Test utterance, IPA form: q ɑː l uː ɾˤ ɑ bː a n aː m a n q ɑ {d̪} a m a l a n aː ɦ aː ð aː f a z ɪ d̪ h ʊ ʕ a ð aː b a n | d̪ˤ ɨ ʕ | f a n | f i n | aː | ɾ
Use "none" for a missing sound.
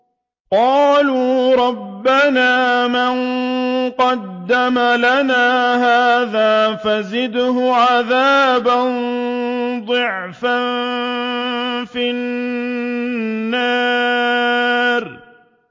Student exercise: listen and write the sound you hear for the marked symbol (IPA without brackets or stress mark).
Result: d̪ː